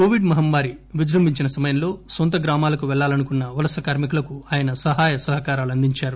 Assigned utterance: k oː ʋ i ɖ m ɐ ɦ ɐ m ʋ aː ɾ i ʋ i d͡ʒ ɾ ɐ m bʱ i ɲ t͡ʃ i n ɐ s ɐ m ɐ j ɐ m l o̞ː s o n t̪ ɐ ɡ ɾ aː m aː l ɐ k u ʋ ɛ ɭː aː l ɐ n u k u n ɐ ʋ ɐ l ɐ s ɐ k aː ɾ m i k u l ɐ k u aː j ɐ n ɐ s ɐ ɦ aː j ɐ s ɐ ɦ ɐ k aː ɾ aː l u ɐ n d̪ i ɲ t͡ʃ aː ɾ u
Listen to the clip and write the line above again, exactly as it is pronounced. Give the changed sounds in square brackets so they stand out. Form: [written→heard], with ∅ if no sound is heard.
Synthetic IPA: k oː ʋ i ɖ m ɐ ɦ ɐ m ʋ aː ɾ i ʋ i d͡ʒ ɾ ɐ m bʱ i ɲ t͡ʃ i n ɐ s ɐ m ɐ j ɐ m l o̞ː s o n t̪ ɐ ɡ ɾ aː m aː l ɐ k u ʋ ɛ ɭː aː l ɐ n u k u [n→nː] ɐ ʋ ɐ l ɐ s ɐ k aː ɾ m i k u l ɐ k u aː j ɐ n ɐ s ɐ ɦ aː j ɐ s ɐ ɦ ɐ k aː ɾ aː l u ɐ n d̪ i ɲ t͡ʃ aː ɾ u